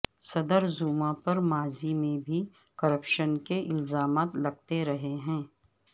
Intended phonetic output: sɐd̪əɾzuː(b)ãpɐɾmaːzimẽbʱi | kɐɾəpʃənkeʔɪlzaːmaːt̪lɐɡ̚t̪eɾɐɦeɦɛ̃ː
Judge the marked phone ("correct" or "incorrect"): incorrect